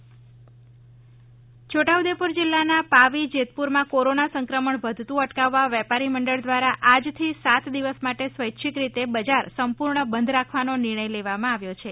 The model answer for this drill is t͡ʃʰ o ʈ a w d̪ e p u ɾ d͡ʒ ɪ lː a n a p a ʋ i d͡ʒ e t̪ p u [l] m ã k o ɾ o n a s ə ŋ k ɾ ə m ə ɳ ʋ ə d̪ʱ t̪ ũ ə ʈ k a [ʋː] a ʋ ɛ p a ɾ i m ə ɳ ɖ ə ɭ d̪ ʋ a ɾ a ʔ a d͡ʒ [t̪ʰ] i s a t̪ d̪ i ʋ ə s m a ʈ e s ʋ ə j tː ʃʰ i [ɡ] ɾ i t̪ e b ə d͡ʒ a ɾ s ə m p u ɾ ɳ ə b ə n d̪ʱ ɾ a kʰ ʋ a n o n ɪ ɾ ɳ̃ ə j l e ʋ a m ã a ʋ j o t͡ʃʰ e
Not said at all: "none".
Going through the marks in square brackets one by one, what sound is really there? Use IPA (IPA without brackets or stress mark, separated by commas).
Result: ɾ, ʋː, t̪ʰ, k